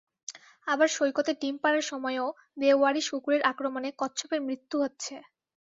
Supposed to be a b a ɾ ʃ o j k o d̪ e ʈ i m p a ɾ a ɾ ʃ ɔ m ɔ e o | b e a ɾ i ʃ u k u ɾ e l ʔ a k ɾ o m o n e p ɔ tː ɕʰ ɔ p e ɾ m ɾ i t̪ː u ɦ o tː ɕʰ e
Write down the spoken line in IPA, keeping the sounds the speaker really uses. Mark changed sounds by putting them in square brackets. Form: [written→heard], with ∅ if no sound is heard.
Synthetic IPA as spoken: a b a ɾ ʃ o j k o [d̪→t̪] e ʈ i m p a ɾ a ɾ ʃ ɔ m ɔ e o | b e a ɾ i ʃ u k u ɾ e [l→ɾ] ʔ a k ɾ o m o n e [p→k] ɔ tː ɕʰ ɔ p e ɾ m ɾ i t̪ː u ɦ o tː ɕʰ e